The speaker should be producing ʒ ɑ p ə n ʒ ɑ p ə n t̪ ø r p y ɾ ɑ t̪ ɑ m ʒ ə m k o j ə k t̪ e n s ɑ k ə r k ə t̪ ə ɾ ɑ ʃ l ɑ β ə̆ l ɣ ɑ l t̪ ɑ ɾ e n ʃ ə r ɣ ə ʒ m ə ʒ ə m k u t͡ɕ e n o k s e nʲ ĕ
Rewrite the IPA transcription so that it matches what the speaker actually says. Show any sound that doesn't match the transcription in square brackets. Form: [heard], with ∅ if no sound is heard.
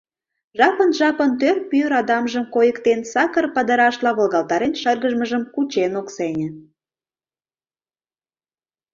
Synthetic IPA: ʒ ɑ p ə n ʒ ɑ p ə n t̪ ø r p y ɾ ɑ [d̪] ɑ m ʒ ə m k o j ə k t̪ e n s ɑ k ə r [p] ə [d̪] ə ɾ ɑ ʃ l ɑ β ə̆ l ɣ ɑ l t̪ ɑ ɾ e n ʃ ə r ɣ ə ʒ m ə ʒ ə m k u t͡ɕ e n o k s e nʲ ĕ